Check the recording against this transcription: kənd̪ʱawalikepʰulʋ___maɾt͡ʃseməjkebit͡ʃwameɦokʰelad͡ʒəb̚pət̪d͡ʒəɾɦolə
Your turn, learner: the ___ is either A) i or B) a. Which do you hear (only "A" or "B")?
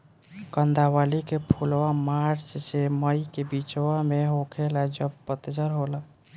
B